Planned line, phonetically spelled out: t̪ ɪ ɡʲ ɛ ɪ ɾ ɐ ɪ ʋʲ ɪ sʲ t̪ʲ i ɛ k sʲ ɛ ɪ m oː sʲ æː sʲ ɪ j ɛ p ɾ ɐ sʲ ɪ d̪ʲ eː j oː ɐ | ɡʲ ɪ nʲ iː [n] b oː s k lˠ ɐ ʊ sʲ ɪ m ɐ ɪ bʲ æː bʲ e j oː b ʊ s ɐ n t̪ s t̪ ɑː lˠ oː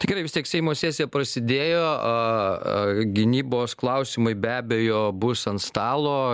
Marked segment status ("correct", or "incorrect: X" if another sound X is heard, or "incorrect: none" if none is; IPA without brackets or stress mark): incorrect: none